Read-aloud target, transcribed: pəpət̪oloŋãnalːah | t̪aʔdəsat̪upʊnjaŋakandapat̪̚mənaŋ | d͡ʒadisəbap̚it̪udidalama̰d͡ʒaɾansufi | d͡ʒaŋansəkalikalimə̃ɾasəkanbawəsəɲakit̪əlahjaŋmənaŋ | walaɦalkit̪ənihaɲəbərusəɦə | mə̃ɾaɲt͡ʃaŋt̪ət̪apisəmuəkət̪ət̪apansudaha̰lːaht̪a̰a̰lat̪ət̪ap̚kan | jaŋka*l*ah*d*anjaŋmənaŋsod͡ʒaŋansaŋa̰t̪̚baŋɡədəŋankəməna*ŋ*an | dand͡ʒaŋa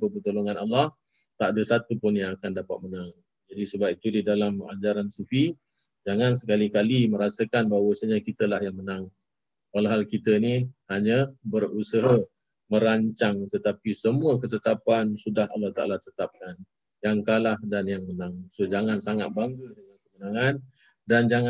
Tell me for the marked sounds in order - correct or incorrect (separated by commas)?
correct, correct, correct